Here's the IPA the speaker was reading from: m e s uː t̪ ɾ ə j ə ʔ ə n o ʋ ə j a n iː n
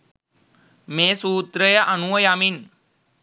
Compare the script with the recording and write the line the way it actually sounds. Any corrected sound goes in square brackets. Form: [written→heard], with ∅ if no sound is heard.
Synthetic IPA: m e s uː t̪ ɾ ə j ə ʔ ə n [o→u] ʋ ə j a [n→m] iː n